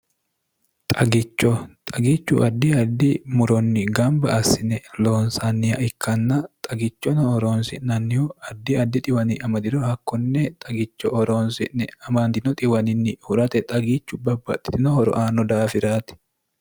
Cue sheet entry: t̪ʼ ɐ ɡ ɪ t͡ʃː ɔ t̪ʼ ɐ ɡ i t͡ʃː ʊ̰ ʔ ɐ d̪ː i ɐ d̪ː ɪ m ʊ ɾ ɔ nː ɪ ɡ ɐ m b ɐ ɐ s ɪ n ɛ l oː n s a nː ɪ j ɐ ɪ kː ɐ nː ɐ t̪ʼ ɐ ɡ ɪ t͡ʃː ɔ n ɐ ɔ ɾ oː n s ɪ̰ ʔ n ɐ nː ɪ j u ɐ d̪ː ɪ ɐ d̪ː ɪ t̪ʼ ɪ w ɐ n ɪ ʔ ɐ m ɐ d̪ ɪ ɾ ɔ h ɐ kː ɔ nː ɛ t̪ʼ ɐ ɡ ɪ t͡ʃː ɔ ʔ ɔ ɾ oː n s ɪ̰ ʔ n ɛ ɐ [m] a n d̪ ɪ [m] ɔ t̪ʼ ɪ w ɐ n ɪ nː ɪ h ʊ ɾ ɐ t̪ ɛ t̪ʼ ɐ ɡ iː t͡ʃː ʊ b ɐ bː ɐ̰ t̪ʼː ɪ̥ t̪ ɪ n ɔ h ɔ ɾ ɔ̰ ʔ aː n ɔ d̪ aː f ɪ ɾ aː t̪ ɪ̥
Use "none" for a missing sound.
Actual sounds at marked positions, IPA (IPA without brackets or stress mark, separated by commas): m, n